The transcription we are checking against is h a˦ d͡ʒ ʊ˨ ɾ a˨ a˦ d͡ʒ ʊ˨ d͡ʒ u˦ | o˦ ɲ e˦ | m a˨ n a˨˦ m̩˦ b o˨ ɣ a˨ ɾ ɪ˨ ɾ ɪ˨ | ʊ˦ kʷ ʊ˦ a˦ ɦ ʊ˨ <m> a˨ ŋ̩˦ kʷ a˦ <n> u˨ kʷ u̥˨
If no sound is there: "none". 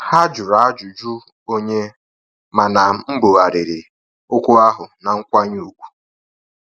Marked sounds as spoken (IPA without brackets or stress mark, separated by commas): n, ɲ